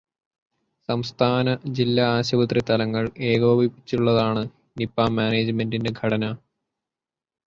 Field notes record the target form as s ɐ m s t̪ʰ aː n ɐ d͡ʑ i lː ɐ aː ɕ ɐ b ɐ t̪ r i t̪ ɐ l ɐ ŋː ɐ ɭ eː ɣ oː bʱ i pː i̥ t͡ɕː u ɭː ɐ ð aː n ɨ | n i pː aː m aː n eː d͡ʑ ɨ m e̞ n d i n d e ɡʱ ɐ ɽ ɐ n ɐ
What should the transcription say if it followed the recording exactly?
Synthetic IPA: s ɐ m s t̪ʰ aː n ɐ d͡ʑ i lː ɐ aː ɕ ɐ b ɐ t̪ r i t̪ ɐ l ɐ ŋː ɐ ɭ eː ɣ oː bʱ i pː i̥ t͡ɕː u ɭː ɐ ð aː ɳ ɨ | n i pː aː m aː n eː d͡ʑ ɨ m e̞ n d i n d e ɡʱ ɐ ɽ ɐ n ɐ